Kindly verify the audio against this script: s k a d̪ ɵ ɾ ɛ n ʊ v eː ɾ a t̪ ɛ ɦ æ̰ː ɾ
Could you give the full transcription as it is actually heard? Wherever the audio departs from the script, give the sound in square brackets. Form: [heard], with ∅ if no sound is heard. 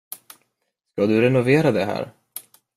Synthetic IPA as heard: s k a d̪ ɵ ɾ ɛ n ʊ v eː ɾ a [d̪] ɛ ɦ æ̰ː ɾ